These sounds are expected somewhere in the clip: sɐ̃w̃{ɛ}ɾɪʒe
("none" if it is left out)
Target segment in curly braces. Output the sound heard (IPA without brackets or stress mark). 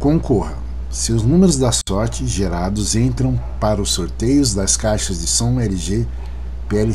ɛ